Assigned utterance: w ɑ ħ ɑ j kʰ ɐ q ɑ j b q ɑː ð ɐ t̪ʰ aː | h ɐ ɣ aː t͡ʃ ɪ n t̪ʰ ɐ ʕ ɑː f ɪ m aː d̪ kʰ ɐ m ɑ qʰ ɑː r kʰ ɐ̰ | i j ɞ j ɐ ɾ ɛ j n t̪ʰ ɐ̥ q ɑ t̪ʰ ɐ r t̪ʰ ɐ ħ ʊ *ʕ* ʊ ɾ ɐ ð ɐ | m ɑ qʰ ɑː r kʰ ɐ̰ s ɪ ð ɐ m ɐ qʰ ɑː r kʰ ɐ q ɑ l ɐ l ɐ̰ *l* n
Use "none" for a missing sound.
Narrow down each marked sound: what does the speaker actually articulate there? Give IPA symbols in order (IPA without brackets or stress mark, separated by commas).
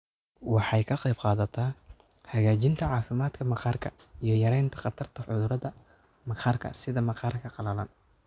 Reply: ð, none